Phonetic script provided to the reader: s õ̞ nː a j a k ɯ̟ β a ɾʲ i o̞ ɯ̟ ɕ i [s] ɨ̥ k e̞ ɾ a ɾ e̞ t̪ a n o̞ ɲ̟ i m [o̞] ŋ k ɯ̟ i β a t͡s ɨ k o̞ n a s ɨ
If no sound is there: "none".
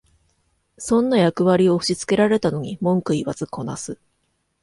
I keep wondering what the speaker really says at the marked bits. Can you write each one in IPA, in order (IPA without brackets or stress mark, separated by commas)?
t͡s, õ̞